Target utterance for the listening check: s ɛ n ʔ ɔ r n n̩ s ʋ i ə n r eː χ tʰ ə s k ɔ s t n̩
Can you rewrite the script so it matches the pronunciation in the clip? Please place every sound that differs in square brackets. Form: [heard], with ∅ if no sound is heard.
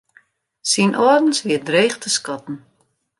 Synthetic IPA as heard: s [i] n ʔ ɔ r [d] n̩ s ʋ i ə [d] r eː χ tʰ ə s k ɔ [∅] t n̩